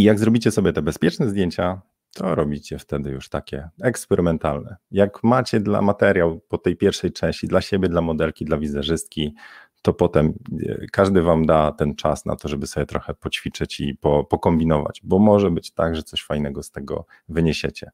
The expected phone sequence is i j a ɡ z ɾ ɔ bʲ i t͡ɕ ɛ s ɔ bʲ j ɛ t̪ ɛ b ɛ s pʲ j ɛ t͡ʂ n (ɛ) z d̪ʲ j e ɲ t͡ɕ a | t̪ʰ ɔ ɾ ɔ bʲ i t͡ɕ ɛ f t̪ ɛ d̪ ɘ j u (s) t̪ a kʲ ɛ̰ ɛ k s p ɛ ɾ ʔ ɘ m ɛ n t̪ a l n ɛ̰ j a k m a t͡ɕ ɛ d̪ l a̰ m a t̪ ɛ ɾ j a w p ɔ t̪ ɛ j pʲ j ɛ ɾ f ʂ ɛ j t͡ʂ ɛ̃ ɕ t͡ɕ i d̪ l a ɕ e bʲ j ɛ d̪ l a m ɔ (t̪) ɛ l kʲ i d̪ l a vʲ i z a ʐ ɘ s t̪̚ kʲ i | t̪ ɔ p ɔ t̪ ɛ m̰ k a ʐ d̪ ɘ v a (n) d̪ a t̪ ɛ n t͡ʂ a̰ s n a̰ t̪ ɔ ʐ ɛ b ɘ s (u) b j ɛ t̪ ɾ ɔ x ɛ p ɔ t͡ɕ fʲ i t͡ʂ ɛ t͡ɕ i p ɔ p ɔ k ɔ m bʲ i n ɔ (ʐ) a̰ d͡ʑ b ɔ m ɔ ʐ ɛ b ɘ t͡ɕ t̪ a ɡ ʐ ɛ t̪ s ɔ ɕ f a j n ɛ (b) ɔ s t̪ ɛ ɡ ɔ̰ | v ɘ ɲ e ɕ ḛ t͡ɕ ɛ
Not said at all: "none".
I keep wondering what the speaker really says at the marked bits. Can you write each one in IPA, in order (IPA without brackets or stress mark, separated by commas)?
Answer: ɛ, ʂ, d̪, m, ɔ, v, ɡ